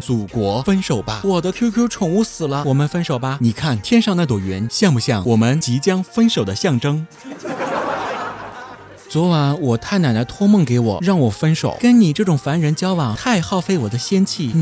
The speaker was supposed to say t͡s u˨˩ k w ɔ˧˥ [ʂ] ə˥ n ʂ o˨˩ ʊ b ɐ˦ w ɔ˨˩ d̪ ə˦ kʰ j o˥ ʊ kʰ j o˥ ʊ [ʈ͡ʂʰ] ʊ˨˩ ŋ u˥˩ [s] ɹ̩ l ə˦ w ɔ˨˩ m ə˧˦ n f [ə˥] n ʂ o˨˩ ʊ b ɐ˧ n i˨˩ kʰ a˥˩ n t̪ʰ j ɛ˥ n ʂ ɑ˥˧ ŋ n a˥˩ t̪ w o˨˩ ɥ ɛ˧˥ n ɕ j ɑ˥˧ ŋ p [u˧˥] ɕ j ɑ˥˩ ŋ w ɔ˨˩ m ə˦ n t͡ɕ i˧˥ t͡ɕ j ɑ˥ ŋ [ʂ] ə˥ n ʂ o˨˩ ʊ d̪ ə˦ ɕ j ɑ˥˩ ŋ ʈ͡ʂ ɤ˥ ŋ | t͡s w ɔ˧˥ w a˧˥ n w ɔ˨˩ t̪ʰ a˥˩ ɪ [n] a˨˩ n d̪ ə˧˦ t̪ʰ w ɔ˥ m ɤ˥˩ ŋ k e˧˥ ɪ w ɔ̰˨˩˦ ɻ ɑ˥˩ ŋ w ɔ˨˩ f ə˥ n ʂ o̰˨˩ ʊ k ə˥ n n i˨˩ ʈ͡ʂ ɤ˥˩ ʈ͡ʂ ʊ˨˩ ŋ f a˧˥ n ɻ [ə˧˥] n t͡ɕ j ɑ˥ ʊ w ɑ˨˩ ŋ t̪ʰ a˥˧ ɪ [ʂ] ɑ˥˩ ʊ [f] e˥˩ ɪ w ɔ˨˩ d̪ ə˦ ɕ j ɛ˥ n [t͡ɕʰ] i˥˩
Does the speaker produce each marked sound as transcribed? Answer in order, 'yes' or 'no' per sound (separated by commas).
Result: no, yes, yes, yes, no, no, yes, yes, no, yes, yes